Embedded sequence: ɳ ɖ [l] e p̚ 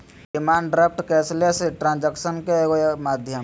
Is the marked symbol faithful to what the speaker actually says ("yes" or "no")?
no